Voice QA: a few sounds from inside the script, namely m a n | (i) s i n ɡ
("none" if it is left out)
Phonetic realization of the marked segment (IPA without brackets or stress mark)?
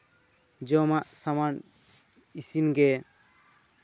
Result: i